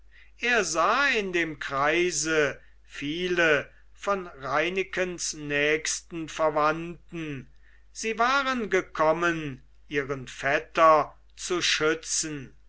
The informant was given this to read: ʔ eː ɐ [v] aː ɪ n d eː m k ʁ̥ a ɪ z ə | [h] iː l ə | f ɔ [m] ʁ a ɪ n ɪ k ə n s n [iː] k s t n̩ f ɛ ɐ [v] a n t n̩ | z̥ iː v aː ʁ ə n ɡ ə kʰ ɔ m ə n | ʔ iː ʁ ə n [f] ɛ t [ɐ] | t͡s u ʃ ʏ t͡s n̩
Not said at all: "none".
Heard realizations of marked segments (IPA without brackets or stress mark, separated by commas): z, f, n, ɛː, v, f, ɐ